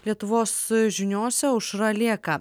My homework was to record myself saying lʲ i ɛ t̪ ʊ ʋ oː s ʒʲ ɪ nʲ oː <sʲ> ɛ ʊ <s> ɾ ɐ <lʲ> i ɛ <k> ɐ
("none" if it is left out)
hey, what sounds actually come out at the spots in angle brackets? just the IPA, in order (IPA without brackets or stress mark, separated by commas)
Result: sʲ, ʃ, lʲ, k